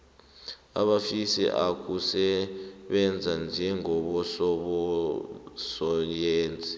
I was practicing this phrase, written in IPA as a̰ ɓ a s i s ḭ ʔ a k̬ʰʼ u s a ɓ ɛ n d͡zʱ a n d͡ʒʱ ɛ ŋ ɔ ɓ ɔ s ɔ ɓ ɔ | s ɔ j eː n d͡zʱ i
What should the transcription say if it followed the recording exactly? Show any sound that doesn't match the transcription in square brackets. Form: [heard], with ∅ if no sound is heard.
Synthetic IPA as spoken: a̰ ɓ a [f] i s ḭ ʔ a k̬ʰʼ u s [ɛ] ɓ ɛ n d͡zʱ a n d͡ʒʱ ɛ ŋ ɔ ɓ ɔ s ɔ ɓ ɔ | s ɔ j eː n d͡zʱ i